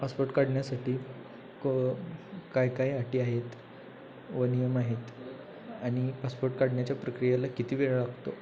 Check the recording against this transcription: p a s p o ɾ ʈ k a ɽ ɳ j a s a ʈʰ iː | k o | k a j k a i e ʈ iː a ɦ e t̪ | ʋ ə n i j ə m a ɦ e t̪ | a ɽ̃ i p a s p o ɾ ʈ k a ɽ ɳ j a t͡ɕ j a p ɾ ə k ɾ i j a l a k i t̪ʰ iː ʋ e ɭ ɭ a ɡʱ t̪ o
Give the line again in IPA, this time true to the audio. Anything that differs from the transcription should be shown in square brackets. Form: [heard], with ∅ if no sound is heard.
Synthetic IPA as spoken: p a s p o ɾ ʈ k a ɽ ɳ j a s a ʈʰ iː | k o | k a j k a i [a] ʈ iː a ɦ e t̪ | ʋ ə n i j ə m a ɦ e t̪ | a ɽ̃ i p a s p o ɾ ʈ k a ɽ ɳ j a t͡ɕ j a p ɾ ə k ɾ i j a l a k i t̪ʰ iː ʋ e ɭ ɭ a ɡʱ t̪ o